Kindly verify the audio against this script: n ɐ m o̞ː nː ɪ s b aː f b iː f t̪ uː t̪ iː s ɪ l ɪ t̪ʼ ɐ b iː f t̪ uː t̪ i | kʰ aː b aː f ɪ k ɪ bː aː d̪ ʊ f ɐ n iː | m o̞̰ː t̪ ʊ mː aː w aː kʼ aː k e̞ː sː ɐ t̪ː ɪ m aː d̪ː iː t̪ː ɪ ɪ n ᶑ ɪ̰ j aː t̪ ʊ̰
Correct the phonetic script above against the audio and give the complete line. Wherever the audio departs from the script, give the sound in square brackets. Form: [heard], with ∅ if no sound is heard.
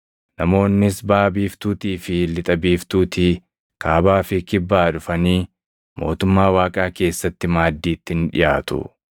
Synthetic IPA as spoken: n ɐ m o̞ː nː ɪ s b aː [∅] b iː f t̪ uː t̪ iː [f] ɪ l ɪ t̪ʼ ɐ b iː f t̪ uː t̪ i | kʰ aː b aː f ɪ k ɪ bː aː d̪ ʊ f ɐ n iː | m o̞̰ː t̪ ʊ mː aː w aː kʼ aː k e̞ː sː ɐ t̪ː ɪ m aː d̪ː iː t̪ː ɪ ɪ n ᶑ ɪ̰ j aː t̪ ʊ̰